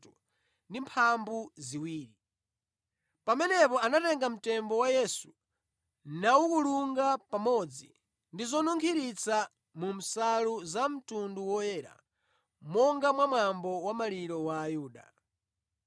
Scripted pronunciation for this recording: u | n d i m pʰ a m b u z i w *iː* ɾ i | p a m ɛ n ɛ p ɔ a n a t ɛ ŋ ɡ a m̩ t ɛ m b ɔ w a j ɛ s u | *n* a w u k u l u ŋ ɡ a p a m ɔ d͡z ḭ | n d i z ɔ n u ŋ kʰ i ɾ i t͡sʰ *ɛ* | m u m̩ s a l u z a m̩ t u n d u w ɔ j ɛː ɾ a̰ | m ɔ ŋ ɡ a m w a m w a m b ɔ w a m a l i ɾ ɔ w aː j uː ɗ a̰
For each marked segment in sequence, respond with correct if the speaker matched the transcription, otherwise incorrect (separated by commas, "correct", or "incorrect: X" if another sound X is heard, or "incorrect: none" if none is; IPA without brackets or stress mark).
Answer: correct, correct, incorrect: a